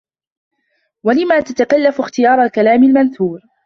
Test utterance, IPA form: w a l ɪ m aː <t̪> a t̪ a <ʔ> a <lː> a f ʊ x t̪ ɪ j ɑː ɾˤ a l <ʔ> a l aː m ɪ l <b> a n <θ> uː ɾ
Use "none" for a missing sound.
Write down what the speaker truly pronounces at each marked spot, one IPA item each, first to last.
t̪, k, lː, k, m, θ

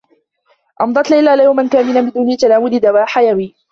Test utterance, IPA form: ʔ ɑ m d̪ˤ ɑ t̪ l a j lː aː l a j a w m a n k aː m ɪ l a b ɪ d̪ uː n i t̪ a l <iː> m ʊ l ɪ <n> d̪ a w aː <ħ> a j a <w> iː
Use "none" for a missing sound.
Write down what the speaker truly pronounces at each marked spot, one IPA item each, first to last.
aː, none, ħ, w

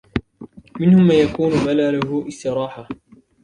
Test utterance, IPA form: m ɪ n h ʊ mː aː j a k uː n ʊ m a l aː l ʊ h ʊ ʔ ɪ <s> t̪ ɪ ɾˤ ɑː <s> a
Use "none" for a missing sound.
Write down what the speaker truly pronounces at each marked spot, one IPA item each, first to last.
s, ħ

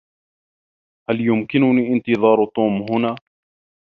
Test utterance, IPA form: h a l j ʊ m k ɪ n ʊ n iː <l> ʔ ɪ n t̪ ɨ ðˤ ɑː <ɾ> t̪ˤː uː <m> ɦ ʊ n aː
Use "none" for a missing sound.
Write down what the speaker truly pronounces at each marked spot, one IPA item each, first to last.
none, ɾ, m

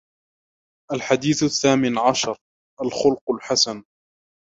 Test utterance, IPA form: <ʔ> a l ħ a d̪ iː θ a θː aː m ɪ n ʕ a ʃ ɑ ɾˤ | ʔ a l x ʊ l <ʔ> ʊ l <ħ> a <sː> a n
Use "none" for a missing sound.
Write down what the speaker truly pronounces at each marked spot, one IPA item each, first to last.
ʔ, q, ħ, s

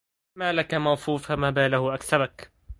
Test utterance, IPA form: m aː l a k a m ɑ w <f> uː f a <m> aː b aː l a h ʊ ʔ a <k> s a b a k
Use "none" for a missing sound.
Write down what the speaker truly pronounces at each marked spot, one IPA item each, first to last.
f, m, k

